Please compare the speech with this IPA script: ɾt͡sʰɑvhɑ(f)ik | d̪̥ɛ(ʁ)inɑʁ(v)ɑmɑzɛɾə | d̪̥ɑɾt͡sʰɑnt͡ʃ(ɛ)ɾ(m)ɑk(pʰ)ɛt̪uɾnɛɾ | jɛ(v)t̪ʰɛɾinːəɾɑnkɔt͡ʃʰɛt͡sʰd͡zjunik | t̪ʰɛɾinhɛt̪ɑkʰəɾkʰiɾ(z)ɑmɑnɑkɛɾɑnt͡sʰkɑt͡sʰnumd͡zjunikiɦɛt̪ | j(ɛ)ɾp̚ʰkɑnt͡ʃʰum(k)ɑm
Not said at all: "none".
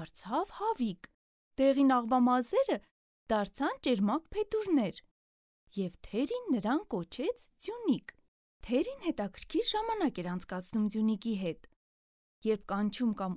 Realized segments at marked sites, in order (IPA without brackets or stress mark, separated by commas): v, ʁ, v, ɛ, m, pʰ, v, ʒ, ɛ, k